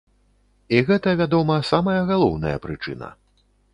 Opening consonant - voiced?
yes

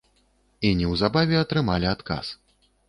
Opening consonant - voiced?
yes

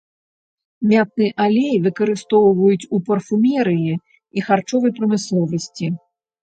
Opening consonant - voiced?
yes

